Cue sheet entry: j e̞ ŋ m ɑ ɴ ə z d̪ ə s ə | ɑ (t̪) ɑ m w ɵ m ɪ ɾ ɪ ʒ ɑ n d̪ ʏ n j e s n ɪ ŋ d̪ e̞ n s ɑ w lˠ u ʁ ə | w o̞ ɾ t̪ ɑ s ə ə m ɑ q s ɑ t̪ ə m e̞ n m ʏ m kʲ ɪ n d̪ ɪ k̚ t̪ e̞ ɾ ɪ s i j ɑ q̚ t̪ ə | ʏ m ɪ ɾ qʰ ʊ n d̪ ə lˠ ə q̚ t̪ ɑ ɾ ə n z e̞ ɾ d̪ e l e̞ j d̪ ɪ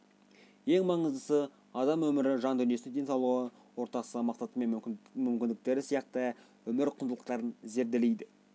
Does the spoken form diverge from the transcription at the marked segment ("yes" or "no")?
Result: yes